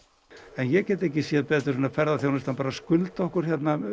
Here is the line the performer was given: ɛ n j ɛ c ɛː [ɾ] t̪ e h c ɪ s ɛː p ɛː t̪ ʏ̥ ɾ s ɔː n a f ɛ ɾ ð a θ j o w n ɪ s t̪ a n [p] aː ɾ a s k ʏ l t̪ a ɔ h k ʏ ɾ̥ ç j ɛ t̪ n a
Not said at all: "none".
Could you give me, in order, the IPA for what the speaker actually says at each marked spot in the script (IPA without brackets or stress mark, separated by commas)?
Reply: none, p